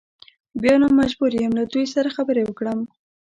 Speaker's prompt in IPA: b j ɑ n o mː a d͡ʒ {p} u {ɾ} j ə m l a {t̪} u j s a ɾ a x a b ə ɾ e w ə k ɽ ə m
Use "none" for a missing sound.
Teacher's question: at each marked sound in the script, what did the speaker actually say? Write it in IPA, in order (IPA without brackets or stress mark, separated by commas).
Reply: b, ɾ, d̪